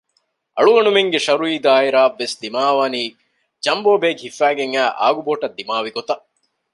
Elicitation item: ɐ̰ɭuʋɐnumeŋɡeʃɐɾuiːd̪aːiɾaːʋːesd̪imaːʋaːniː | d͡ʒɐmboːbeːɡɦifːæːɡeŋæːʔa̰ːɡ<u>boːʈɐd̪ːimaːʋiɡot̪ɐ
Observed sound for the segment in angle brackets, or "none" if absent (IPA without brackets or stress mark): u